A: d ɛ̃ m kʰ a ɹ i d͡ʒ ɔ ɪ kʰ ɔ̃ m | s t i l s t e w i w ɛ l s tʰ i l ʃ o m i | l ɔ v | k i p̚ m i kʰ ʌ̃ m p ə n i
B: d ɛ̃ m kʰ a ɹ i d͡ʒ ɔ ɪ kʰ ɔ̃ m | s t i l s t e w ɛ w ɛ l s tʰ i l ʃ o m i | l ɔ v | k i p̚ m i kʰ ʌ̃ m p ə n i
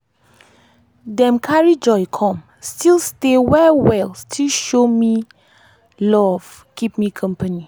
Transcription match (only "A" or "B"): B